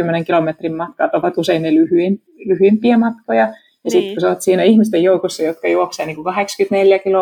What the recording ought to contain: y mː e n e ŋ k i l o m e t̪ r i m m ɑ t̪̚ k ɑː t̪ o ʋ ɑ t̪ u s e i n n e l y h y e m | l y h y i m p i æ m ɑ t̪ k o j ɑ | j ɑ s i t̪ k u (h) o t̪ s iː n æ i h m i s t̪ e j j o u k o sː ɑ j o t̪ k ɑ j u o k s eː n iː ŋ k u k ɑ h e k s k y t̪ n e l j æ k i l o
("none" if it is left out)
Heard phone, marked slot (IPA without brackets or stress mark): s